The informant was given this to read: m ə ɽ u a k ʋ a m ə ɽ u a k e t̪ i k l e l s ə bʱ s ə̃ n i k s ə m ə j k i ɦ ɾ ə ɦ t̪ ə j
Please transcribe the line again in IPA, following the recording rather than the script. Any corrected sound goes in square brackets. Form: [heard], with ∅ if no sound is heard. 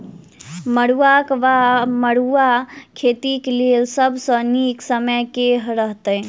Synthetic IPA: m ə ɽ u a k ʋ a m ə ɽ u a [kʰ] e t̪ i k l e l s ə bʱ s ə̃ n i k s ə m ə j k [e] ɦ ɾ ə ɦ t̪ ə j